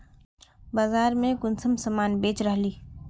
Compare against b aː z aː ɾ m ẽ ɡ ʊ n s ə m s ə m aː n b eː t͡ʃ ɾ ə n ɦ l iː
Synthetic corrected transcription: b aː z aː ɾ m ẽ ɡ ʊ n s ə m s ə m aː n b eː t͡ʃ ɾ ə ɦ l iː